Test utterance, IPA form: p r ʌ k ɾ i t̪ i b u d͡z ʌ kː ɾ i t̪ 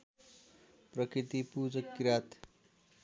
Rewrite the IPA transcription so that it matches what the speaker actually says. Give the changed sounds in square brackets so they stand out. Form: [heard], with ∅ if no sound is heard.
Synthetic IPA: p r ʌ k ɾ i t̪ i [p] u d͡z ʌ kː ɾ [a] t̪